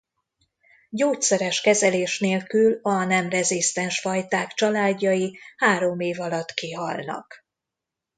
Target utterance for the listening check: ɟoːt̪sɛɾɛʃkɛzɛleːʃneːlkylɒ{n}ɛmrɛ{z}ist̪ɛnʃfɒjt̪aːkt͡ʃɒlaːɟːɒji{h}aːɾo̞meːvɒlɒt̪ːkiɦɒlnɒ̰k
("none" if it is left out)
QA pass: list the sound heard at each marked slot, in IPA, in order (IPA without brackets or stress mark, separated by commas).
n, z, h